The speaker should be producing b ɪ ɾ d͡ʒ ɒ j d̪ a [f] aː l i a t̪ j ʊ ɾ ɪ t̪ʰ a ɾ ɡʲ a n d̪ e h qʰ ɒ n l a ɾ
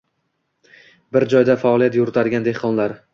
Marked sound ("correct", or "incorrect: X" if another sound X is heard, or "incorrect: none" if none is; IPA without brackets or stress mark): correct